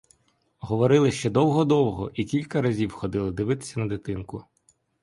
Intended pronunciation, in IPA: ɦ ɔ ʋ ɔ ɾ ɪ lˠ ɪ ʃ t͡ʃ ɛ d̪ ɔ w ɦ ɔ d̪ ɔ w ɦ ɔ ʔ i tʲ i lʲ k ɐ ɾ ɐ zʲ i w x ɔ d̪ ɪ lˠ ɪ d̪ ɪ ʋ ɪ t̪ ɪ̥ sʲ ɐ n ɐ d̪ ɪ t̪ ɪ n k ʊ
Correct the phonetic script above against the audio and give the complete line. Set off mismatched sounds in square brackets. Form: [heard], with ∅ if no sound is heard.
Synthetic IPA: ɦ ɔ ʋ ɔ ɾ ɪ lˠ ɪ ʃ t͡ʃ ɛ d̪ ɔ w ɦ ɔ d̪ ɔ w ɦ ɔ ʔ i [kʲ] i lʲ k ɐ ɾ ɐ zʲ i w x ɔ d̪ ɪ lˠ ɪ d̪ ɪ ʋ ɪ t̪ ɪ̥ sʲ ɐ n ɐ d̪ ɪ t̪ ɪ n k ʊ